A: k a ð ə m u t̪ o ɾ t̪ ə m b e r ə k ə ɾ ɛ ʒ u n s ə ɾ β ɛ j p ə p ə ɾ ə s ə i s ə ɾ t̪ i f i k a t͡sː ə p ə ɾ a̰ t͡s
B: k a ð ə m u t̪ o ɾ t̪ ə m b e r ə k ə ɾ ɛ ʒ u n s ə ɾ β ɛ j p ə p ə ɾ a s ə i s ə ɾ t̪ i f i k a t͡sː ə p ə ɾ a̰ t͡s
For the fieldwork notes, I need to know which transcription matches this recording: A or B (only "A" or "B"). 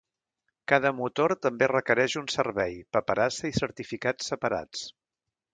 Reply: B